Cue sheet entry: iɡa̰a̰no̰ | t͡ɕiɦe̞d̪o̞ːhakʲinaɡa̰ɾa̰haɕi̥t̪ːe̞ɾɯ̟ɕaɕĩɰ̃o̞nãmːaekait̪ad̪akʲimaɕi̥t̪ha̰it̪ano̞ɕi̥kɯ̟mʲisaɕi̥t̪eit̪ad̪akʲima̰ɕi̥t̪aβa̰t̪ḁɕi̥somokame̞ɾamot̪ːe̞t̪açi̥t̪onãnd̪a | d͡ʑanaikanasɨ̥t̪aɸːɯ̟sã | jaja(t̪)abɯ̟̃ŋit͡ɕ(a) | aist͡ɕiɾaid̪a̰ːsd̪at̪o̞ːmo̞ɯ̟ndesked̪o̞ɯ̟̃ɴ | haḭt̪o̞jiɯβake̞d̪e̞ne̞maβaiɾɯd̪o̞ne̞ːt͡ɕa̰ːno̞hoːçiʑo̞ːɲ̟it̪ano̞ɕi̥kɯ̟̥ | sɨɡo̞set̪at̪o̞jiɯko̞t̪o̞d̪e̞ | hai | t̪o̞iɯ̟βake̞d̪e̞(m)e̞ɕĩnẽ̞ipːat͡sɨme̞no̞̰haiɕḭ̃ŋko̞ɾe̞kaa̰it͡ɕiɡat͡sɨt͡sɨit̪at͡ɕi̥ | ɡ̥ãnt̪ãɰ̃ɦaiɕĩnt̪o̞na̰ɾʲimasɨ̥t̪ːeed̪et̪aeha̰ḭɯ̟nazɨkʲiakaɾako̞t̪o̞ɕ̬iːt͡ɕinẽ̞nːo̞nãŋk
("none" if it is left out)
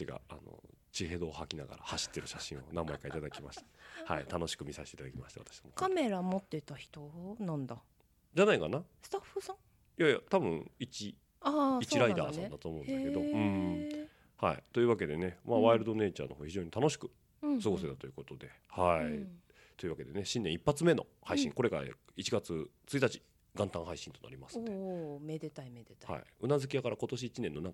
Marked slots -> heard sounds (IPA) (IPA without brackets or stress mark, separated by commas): t̪, i, n